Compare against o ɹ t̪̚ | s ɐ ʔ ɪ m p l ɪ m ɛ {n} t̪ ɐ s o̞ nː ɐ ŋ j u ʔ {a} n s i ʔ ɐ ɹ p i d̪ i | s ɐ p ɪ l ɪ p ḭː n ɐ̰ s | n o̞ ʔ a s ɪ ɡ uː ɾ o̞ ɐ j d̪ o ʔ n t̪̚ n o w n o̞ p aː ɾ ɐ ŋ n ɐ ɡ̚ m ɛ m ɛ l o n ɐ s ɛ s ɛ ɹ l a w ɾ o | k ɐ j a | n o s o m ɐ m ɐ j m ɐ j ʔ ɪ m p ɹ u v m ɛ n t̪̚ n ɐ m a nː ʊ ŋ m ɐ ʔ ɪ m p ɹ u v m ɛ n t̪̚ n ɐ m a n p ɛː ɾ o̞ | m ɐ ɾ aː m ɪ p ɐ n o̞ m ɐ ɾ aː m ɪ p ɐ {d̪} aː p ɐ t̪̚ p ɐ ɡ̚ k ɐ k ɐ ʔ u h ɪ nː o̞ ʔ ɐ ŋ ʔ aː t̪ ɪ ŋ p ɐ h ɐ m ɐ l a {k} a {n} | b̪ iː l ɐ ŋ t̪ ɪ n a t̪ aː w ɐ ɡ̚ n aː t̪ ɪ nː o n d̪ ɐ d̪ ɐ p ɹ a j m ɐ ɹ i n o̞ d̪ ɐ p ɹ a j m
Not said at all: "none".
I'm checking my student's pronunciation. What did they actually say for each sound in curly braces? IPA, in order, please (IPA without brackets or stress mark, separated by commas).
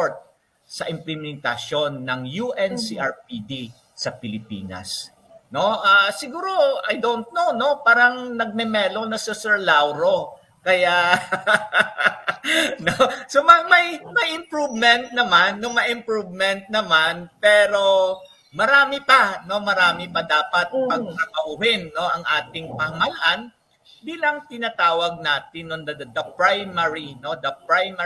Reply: n, ɛ, d̪, ʔ, n